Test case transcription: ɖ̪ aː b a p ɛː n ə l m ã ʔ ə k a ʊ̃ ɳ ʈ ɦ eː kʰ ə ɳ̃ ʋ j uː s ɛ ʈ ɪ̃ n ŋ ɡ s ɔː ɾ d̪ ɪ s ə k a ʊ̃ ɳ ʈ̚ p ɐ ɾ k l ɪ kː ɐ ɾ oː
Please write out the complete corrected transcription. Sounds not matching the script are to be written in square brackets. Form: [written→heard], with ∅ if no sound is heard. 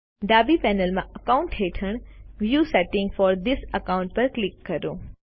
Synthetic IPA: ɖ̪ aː b [a→i] p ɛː n ə l m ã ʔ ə k a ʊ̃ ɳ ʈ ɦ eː [kʰ→ʈʰ] ə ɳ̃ ʋ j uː s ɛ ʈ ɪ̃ [n→∅] ŋ ɡ [s→f] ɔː ɾ d̪ ɪ s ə k a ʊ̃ ɳ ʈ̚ p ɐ ɾ k l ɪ kː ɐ ɾ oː

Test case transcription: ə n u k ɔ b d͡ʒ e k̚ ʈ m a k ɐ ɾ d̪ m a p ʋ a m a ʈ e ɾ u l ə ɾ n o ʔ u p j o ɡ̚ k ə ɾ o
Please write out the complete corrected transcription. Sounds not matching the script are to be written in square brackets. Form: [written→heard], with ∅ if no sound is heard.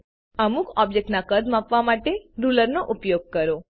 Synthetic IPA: ə [n→m] u k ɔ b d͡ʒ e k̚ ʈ [m→n] a k [ɐ→ə] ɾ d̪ m a p ʋ a m a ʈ e ɾ u l ə ɾ n o ʔ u p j o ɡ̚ k ə ɾ o

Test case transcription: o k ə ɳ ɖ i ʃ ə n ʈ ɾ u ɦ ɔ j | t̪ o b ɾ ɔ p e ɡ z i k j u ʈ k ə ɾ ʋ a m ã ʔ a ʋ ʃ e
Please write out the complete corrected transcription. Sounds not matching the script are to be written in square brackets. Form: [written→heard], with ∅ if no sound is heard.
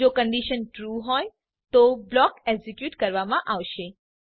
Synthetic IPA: o k ə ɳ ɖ i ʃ ə n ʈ ɾ u ɦ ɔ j | t̪ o b [ɾ→l] ɔ [p→k] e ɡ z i k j u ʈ k ə ɾ ʋ a m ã ʔ a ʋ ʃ e

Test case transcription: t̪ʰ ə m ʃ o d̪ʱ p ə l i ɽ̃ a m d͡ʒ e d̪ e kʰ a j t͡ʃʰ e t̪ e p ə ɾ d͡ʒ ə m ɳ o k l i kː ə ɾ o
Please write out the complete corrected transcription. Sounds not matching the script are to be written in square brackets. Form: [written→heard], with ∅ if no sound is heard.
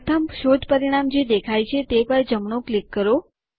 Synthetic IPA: t̪ʰ ə m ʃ o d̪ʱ p ə [l→ɾ] i ɽ̃ a m d͡ʒ e d̪ e kʰ a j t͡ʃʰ e t̪ e p ə ɾ d͡ʒ ə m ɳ o k l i kː ə ɾ o

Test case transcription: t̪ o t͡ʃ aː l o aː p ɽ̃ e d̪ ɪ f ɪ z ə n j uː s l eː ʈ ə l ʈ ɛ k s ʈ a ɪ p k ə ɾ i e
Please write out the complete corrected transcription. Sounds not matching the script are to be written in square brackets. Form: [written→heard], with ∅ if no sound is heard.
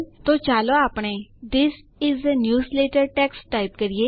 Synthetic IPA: t̪ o t͡ʃ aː l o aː p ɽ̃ e d̪ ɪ [f→s] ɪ z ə n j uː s l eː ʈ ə [l→ɾ] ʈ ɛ k s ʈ a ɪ p k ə ɾ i e

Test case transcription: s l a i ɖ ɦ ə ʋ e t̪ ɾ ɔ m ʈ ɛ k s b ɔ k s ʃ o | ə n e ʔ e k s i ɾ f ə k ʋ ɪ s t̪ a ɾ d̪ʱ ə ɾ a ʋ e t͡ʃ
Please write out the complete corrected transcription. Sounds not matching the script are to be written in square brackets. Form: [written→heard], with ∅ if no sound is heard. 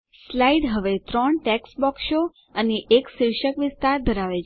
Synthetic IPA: s l a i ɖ ɦ ə ʋ e t̪ ɾ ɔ [m→ɳ] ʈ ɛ k s b ɔ k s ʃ o | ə n e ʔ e k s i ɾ [f→ʃ] ə k ʋ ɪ s t̪ a ɾ d̪ʱ ə ɾ a ʋ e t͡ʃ

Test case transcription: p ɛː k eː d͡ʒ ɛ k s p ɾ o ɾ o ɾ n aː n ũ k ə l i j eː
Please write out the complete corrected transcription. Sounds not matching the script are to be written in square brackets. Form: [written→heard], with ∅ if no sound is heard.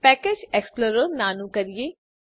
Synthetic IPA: p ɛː k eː d͡ʒ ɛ k s p [ɾ→l] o ɾ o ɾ n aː n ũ k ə [l→ɾ] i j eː

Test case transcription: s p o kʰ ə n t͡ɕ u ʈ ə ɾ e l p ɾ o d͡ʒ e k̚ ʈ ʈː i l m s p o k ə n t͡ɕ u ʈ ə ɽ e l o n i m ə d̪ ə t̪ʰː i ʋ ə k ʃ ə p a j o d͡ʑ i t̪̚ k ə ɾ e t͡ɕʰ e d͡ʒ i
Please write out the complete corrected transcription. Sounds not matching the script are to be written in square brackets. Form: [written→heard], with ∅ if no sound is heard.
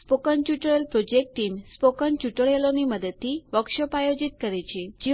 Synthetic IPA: s p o [kʰ→k] ə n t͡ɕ u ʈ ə [ɾ→ɭ] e l p ɾ o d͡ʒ e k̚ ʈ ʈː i [l→∅] m s p o k ə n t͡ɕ u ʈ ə [ɽ→ɭ] e l o n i m ə d̪ ə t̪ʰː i ʋ ə k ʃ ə p a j o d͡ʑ i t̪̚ k ə ɾ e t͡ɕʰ e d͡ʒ i

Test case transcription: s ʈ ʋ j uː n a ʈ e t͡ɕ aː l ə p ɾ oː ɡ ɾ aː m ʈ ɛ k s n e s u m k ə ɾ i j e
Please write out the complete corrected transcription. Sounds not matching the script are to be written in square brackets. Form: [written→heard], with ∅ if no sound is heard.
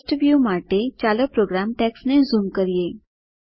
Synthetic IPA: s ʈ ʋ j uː [n→m] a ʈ e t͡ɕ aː l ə p ɾ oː ɡ ɾ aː m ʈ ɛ k s n e [s→z] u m k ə ɾ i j e

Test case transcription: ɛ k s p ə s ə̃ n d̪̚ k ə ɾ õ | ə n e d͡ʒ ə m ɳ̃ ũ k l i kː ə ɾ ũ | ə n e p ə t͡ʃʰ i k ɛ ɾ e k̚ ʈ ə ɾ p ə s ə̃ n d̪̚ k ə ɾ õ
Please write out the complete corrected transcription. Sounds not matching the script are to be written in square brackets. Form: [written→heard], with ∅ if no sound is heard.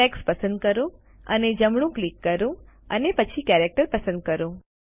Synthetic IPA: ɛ k s p ə s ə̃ n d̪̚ k ə ɾ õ | ə n e d͡ʒ ə m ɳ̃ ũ k l i kː ə ɾ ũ | ə n e p ə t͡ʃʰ i k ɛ ɾ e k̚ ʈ ə ɾ p ə s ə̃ n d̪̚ k ə ɾ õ

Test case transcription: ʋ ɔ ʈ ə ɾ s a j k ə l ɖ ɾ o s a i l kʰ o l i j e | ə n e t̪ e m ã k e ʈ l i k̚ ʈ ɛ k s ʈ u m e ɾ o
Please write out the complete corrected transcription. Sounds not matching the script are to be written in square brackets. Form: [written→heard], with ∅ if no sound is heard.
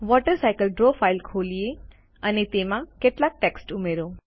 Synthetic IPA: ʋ ɔ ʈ ə ɾ s a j k ə l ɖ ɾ o [s→f] a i l kʰ o l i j e | ə n e t̪ e m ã k e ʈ l [i→a] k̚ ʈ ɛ k s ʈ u m e ɾ o

